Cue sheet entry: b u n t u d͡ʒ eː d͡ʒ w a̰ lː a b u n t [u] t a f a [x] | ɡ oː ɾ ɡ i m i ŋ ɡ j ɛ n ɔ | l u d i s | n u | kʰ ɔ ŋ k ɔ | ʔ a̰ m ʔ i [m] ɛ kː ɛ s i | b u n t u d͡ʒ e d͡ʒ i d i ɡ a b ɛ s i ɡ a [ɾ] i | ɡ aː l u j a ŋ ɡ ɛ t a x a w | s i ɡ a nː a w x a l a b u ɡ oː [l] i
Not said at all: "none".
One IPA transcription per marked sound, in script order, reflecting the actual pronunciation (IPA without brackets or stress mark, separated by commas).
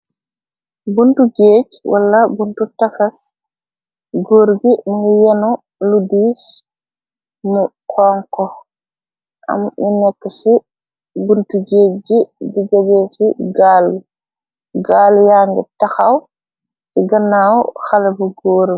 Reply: u, s, n, l, ɾ